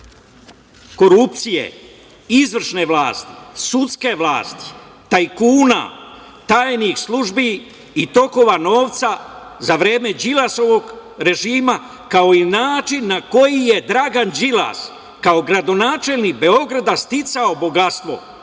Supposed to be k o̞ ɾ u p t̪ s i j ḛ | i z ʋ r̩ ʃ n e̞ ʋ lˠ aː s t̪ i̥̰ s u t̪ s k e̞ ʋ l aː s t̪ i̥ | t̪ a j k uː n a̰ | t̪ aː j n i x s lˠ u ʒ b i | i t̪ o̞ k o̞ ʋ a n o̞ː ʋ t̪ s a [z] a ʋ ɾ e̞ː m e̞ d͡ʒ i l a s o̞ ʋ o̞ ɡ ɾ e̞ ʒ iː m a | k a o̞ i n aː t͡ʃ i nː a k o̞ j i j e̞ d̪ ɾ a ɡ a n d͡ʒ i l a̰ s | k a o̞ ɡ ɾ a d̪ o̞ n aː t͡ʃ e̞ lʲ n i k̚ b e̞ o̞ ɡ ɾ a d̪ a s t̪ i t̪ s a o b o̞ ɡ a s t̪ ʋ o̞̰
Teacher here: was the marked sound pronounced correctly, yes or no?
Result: yes